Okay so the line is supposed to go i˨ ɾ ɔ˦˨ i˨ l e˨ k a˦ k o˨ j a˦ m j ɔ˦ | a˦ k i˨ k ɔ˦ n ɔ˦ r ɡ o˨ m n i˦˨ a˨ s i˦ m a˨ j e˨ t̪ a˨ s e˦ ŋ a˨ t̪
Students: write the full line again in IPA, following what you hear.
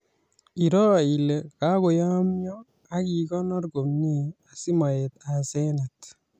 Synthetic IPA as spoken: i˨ ɾ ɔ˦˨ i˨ l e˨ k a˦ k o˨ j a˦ m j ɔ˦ | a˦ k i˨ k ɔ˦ n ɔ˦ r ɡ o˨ m n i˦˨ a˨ s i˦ m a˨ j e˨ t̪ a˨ s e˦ n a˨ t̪